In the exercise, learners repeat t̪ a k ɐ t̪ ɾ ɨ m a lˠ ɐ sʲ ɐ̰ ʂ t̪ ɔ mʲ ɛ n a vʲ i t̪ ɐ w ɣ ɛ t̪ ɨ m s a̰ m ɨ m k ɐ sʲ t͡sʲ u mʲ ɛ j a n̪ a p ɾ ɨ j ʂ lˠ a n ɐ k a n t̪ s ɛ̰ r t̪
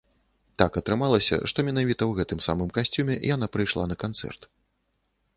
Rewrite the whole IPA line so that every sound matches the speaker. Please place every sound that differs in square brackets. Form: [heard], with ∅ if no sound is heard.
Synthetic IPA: t̪ a k ɐ t̪ ɾ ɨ m a lˠ ɐ sʲ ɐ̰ ʂ t̪ ɔ mʲ ɛ n a vʲ i t̪ ɐ w ɣ ɛ t̪ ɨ m s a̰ m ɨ m k [a] sʲ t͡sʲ u mʲ ɛ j a n̪ a p ɾ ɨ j ʂ lˠ a n ɐ k a n t̪ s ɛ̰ r t̪